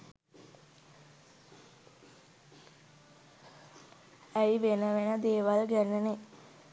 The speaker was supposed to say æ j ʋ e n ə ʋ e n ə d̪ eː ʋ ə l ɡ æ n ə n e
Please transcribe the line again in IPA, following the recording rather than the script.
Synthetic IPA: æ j ʋ e n ə ʋ e n ə d̪ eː ʋ a l ɡ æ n ə n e